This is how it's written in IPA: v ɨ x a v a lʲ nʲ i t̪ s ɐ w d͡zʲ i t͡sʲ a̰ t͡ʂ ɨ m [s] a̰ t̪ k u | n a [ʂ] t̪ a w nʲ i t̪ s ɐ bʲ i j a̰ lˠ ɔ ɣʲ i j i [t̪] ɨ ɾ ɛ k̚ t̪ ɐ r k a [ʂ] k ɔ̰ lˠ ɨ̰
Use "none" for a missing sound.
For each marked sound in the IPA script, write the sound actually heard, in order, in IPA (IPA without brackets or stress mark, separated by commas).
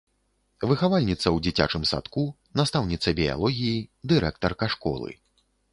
s, s, d̪, ʂ